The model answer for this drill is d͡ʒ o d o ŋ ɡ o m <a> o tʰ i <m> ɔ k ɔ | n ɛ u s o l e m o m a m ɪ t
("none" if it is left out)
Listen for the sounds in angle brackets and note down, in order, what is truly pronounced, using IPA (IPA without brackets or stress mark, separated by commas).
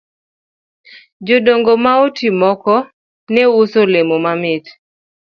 a, m